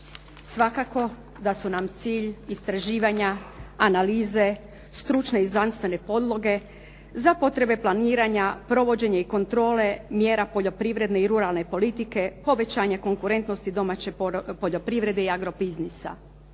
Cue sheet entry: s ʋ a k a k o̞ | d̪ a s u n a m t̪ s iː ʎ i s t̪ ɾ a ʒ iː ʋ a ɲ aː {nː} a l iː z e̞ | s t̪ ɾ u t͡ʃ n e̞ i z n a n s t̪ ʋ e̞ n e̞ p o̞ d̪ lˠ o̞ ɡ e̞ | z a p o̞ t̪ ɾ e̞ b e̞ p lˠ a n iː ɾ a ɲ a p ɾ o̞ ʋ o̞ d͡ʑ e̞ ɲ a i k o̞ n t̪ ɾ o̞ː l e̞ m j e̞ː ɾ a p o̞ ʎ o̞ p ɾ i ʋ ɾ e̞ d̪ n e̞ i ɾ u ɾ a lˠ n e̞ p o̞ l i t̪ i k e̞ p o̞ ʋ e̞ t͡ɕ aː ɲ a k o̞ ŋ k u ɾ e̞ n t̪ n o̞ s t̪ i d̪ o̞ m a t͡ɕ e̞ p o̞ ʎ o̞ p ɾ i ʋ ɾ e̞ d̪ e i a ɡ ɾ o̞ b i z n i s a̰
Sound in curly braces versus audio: incorrect: n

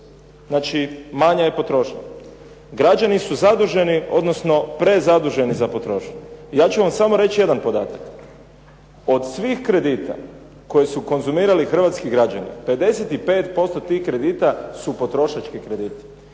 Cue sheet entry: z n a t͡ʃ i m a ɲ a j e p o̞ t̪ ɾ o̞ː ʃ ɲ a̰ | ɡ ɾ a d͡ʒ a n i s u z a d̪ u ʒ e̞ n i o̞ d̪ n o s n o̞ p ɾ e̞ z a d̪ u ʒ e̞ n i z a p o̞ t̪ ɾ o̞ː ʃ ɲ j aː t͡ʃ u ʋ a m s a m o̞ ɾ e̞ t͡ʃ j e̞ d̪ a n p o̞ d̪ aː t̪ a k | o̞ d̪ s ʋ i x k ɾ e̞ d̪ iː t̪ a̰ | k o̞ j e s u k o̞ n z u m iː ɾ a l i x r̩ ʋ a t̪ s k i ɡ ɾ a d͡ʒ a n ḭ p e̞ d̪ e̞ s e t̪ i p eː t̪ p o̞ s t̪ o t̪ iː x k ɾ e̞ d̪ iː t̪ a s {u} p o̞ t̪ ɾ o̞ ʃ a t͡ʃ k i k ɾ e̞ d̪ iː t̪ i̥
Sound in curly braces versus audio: correct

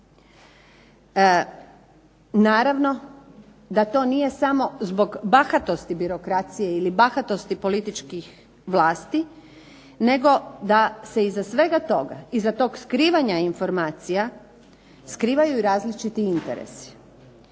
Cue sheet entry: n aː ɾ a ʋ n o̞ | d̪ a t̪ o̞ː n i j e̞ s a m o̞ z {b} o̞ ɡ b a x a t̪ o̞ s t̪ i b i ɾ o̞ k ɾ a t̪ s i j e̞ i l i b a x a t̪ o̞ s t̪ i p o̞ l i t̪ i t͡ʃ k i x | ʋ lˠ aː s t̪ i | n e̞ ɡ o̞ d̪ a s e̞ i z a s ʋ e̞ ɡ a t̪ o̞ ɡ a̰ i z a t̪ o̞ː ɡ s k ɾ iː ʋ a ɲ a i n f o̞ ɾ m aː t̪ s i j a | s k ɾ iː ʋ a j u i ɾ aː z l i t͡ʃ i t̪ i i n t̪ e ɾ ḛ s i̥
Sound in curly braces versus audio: correct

